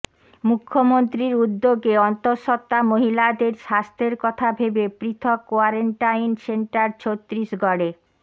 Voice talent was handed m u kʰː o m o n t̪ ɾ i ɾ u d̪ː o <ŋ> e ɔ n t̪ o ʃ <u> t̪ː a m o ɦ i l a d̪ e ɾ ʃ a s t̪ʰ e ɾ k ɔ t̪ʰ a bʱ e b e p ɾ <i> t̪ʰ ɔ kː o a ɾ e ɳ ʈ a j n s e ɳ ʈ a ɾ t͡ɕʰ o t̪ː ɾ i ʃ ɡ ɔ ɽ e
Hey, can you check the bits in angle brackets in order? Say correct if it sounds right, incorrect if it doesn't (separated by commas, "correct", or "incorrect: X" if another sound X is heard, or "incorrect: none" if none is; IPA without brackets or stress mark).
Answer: incorrect: ɡ, incorrect: ɔ, correct